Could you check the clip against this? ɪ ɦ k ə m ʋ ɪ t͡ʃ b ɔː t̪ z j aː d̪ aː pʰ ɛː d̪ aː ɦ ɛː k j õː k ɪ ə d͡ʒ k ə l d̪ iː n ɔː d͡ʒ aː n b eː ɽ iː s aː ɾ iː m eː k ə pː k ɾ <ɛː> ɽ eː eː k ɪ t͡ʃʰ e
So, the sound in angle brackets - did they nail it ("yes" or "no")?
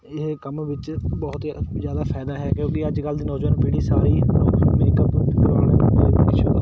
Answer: no